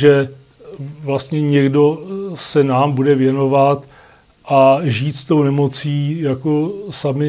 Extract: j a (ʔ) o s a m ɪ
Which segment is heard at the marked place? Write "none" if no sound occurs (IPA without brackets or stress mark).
k